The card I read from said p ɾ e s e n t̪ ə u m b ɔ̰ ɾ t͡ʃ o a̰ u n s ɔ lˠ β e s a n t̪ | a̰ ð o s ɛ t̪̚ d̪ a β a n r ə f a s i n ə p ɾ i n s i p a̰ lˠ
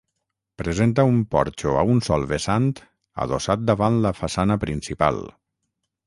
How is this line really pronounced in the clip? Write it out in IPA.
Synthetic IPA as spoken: p ɾ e z e n t̪ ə u m p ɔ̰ ɾ t͡ʃ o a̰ u n s ɔ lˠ β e s a n t̪ | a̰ ð o s a t̪̚ d̪ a β a n l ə f a s a n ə p ɾ i n s i p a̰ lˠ

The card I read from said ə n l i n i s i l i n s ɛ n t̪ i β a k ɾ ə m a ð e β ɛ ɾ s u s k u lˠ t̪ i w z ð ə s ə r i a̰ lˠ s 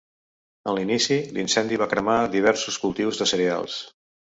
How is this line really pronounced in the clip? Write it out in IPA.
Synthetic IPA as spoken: ə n l i n i s i l i n s ɛ n d̪ i β a k ɾ ə m a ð i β ɛ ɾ s u s k u lˠ t̪ i w z ð ə s ə ɾ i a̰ lˠ s

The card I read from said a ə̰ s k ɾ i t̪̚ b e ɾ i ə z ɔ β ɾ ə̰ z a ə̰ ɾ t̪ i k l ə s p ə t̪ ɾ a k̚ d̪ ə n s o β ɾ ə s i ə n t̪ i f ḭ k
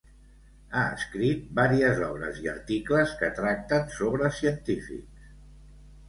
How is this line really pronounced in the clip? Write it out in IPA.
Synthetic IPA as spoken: a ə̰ s k ɾ i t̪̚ b a ɾ i ə z ɔ β ɾ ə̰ z i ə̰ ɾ t̪ i k l ə s k ə t̪ ɾ a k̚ t̪ ə n s o β ɾ ə s i ə n t̪ i f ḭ k

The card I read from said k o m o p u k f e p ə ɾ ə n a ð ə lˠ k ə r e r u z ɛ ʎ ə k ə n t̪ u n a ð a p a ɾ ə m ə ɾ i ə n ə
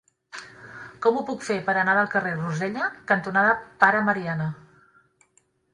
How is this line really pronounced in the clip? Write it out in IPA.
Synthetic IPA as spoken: k ɔ m u p u k f e p ə ɾ ə n a ð ə lˠ k ə r e r u z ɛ ʎ ə k ə n t̪ u n a ð ə p a ɾ ə m ə ɾ i a n ə

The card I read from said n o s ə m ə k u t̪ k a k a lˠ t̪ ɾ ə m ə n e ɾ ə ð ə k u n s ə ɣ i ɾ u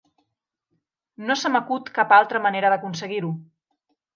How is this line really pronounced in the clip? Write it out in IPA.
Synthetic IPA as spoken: n o s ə m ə k u t̪ k a p a lˠ t̪ ɾ ə m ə n e ɾ ə ð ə k u n s ə ɣ i ɾ u

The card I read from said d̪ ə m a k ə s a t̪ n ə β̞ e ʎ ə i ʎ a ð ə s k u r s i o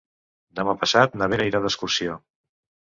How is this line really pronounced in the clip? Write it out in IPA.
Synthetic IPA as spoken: d̪ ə m a p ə s a t̪ n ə β̞ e ɾ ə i ɾ a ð ə s k u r s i o

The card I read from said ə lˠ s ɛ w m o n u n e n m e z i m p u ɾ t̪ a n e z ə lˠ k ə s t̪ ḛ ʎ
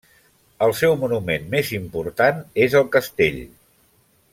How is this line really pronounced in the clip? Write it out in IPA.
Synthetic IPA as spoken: ə lˠ s ɛ w m u n u m e n m e z i m p u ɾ t̪ a n e z ə lˠ k ə s t̪ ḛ ʎ

